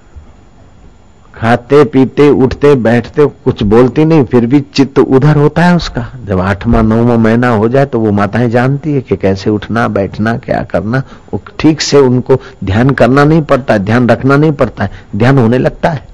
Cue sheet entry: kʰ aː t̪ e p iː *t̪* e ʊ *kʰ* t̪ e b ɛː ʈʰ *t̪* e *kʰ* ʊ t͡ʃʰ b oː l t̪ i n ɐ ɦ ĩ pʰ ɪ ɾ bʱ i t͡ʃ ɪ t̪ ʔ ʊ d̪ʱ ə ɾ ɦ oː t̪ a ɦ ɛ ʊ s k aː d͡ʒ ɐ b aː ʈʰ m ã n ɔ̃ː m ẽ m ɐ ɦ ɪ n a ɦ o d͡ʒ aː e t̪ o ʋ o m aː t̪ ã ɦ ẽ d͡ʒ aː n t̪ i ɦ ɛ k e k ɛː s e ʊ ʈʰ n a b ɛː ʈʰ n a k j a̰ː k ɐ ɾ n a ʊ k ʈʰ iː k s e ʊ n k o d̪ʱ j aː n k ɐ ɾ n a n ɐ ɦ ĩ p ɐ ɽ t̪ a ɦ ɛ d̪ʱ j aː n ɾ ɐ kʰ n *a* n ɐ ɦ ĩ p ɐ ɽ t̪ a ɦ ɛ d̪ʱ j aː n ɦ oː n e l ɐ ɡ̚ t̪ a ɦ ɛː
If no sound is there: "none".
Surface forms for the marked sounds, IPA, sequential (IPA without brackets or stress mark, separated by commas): t̪, ʈʰ, t̪, k, a